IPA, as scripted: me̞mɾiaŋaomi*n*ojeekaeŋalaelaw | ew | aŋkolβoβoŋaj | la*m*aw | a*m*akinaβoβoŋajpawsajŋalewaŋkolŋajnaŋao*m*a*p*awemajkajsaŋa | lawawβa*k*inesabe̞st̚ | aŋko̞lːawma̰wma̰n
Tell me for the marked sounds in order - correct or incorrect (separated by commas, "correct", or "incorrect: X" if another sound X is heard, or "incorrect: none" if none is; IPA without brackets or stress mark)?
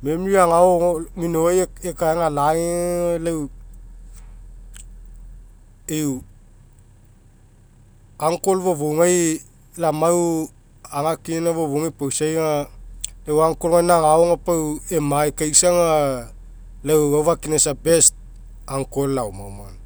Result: correct, correct, incorrect: ŋ, incorrect: ŋ, correct, correct